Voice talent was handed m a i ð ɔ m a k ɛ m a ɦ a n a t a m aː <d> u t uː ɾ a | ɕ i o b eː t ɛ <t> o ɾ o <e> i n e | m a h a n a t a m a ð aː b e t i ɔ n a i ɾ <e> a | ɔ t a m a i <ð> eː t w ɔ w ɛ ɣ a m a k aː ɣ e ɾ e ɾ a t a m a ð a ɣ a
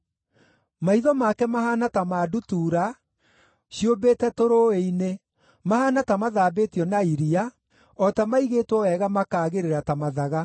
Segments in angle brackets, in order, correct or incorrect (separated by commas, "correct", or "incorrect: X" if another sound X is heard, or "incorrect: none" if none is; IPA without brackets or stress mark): correct, correct, correct, incorrect: i, incorrect: ɣ